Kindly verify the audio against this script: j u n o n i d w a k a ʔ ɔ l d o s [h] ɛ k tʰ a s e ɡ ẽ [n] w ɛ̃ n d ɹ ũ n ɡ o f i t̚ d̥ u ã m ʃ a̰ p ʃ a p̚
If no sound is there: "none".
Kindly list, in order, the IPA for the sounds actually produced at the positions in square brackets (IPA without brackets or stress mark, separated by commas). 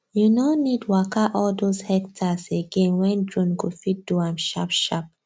h, n